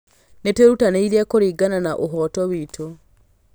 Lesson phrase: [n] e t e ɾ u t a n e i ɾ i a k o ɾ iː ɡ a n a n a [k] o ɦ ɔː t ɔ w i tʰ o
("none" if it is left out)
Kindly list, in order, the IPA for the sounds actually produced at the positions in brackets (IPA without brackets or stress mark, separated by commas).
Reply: n, ʔ